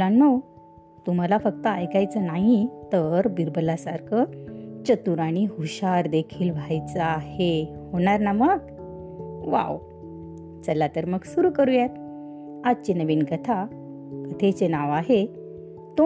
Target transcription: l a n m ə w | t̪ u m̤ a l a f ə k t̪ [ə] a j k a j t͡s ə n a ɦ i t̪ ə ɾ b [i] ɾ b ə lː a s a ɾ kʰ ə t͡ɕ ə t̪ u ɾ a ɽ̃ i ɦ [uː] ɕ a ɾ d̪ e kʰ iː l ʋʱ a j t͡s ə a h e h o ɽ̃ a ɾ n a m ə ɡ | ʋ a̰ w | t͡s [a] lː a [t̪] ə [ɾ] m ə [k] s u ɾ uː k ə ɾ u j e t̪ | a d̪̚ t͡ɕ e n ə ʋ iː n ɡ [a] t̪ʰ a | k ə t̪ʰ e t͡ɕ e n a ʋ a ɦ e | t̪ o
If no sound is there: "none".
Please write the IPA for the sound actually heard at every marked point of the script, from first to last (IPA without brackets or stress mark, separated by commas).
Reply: ə, i, u, ə, t̪, ɾ, ɡ, ə